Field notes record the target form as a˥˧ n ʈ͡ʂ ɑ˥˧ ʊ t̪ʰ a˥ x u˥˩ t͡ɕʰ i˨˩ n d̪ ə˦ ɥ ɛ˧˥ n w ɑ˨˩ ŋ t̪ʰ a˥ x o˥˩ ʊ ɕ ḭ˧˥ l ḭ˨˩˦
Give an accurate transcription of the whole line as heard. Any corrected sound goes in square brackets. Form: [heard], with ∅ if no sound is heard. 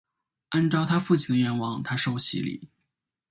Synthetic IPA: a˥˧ n ʈ͡ʂ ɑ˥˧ ʊ t̪ʰ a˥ [f] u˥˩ t͡ɕʰ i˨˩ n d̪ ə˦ ɥ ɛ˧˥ n w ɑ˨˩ ŋ t̪ʰ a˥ [ʂ] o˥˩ ʊ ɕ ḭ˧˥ l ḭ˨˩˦